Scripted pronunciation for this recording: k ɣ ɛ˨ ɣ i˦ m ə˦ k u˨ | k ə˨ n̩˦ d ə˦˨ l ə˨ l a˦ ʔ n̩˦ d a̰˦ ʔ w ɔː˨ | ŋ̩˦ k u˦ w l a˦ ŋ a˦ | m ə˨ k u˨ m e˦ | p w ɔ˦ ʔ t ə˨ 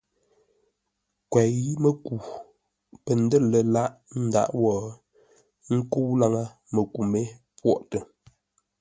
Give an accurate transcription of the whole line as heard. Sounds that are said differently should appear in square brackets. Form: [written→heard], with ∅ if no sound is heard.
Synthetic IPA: k [ɣ→w] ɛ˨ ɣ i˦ m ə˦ k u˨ | [k→p] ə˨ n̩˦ d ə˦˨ l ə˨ l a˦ ʔ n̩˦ d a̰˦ ʔ w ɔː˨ | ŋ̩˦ k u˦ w l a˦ ŋ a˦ | m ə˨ k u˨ m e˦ | p w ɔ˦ ʔ t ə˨